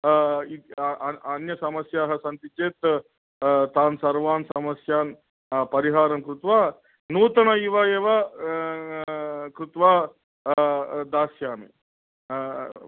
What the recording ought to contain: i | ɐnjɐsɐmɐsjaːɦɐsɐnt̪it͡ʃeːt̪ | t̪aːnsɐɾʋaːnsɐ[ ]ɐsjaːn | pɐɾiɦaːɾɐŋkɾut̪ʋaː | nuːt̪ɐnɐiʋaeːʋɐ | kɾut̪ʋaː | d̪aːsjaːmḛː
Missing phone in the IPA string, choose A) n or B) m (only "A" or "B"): B